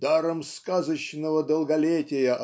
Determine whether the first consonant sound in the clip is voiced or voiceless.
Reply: voiced